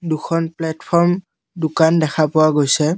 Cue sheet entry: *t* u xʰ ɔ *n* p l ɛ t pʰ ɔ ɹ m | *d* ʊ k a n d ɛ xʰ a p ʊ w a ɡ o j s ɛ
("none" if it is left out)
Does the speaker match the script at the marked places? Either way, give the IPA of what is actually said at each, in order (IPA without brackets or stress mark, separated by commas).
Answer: d, n, d